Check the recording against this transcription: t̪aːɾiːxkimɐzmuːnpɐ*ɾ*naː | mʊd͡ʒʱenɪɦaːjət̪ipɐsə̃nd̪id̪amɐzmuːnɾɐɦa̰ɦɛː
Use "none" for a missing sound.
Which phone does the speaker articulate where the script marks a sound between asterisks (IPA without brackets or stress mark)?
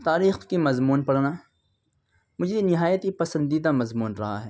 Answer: ɽ